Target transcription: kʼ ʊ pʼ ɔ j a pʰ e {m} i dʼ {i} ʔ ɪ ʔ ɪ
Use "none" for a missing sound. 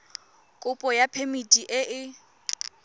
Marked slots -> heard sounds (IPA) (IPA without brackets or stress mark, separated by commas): m, i